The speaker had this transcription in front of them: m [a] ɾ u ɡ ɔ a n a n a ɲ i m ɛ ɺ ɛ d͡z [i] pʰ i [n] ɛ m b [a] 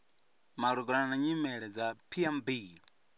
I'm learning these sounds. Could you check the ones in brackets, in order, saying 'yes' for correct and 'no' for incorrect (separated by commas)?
yes, no, no, no